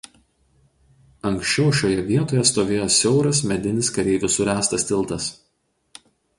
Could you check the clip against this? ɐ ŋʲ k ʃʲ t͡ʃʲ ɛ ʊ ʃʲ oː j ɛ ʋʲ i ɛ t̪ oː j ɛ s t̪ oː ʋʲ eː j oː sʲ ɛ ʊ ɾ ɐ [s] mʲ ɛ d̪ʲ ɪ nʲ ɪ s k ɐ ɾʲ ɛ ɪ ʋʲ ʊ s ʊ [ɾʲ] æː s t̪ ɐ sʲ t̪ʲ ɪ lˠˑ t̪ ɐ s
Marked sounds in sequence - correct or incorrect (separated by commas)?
correct, correct